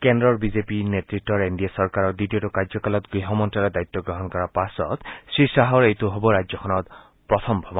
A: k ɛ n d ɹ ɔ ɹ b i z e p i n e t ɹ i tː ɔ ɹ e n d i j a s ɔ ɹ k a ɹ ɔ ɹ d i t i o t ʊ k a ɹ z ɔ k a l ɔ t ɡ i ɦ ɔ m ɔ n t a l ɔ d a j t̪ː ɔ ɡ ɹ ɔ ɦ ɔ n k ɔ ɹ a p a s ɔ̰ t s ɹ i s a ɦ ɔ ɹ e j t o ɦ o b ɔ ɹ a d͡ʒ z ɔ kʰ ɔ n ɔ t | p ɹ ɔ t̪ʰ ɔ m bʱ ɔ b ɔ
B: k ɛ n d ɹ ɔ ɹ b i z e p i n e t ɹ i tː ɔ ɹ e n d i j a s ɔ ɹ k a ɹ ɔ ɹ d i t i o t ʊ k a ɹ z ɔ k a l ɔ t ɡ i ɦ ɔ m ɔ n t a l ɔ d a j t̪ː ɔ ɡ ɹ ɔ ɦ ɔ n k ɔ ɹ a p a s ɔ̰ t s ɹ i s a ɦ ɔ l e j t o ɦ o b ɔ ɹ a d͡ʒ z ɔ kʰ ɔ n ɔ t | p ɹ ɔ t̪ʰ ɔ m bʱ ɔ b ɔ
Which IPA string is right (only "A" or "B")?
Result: A